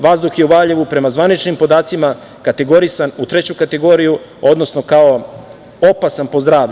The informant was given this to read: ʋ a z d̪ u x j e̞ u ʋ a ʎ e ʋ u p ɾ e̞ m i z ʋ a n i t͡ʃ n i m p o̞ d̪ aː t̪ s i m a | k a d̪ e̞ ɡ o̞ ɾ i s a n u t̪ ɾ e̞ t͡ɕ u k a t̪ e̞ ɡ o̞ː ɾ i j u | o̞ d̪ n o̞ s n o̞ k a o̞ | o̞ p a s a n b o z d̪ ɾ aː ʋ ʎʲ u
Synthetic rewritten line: ʋ a z d̪ u x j e̞ u ʋ a ʎ e ʋ u p ɾ e̞ m a z ʋ a n i t͡ʃ n i m p o̞ d̪ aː t̪ s i m a | k a t̪ e̞ ɡ o̞ ɾ i s a n u t̪ ɾ e̞ t͡ɕ u k a t̪ e̞ ɡ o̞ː ɾ i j u | o̞ d̪ n o̞ s n o̞ k a o̞ | o̞ p a s a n p o z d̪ ɾ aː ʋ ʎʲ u